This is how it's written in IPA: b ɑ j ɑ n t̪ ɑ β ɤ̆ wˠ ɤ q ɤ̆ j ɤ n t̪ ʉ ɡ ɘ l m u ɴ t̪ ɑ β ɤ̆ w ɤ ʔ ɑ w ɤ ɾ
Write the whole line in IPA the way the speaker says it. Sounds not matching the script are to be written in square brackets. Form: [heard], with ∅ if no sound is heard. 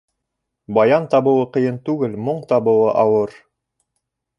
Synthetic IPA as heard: b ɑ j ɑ n t̪ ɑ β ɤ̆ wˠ ɤ q ɤ̆ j ɤ n t̪ ʉ ɡ ɘ l m [o] ɴ t̪ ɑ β ɤ̆ w ɤ ʔ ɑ w ɤ ɾ